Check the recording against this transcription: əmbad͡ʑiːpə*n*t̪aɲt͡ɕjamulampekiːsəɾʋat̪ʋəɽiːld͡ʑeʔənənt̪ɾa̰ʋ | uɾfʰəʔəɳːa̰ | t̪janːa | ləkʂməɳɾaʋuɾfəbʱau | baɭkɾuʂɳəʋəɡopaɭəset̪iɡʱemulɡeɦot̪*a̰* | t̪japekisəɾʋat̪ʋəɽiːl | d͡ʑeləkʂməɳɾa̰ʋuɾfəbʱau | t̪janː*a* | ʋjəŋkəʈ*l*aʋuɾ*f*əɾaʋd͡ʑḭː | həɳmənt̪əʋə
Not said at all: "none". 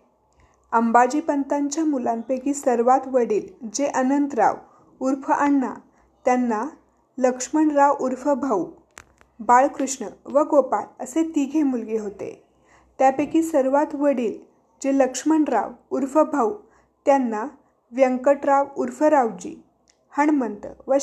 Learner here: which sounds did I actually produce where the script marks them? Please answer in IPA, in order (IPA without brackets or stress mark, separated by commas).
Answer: n, ḛ, a, ɾ, f